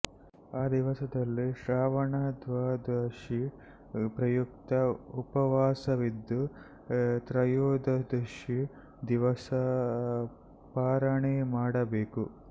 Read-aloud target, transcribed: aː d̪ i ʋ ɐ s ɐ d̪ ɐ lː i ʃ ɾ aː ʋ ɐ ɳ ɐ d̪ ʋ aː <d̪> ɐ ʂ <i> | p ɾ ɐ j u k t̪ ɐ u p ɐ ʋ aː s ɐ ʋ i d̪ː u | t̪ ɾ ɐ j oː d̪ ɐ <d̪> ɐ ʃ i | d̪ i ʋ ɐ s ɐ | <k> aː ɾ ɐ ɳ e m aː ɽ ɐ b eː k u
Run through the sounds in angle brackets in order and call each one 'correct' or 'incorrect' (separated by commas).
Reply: correct, correct, correct, incorrect